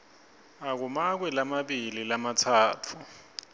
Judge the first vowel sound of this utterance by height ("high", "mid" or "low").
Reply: low